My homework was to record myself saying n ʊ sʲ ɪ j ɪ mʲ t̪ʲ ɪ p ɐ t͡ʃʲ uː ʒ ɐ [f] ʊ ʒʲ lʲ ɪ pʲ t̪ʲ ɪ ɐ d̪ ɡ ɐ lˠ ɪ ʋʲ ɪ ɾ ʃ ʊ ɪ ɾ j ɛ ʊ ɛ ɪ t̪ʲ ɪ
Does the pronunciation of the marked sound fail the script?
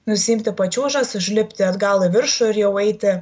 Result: yes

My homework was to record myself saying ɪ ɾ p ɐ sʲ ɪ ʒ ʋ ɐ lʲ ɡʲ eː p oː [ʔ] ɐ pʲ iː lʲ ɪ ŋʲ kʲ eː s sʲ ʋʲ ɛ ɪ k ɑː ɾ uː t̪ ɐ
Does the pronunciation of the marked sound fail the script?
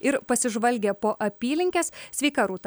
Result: no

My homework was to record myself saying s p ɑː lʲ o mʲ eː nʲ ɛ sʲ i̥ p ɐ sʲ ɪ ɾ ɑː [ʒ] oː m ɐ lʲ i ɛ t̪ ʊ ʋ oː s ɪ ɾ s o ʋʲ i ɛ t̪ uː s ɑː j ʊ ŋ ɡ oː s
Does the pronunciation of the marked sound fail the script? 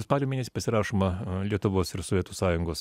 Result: yes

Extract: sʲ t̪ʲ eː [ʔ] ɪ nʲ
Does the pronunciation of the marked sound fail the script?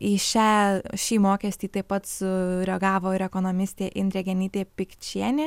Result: no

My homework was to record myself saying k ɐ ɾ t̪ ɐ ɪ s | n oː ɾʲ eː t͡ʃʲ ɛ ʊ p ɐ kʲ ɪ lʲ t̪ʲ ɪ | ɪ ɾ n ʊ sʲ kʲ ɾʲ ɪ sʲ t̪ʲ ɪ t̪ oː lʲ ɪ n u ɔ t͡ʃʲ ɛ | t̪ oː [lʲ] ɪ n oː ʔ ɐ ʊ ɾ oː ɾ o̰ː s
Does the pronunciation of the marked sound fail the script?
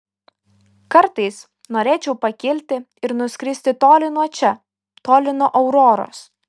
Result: no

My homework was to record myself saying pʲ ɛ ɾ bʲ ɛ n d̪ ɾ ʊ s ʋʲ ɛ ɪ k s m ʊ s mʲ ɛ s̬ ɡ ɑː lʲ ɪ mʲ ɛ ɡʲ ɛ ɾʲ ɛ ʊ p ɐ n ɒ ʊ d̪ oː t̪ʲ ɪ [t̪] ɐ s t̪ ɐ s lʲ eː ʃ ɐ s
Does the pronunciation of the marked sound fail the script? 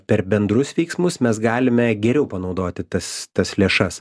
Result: no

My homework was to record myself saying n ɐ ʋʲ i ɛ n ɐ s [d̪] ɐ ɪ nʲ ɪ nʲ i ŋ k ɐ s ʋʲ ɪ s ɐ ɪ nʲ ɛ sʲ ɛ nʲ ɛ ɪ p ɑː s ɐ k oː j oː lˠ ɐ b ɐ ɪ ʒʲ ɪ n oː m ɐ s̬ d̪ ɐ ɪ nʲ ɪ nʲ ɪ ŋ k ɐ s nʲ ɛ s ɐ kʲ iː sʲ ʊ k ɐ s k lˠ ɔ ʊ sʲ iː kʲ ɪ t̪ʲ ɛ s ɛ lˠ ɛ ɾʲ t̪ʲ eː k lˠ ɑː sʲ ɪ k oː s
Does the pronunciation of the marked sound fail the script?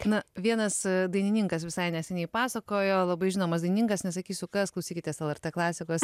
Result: no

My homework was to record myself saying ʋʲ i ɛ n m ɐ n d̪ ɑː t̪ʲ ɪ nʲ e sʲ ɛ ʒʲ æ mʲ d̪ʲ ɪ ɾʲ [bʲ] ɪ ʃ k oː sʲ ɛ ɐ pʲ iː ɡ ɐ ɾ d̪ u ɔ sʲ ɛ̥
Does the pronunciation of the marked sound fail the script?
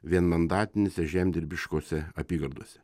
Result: no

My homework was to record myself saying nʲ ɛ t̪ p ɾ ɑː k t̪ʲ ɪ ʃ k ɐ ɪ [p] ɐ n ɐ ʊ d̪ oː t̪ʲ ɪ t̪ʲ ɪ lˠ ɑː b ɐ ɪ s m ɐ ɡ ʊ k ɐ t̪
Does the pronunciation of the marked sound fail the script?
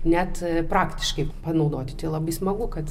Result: no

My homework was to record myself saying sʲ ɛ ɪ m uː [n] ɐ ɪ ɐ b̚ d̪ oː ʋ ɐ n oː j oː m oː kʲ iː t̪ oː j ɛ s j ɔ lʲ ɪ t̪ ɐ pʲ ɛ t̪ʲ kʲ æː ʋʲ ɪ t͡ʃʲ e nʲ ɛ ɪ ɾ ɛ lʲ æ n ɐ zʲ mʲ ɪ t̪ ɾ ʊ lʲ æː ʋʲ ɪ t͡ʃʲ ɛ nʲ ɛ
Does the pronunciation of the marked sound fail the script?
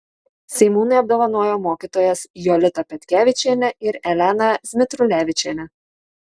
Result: no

